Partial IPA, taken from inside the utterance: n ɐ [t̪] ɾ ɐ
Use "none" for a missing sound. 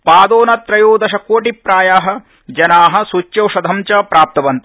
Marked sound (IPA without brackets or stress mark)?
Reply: t̪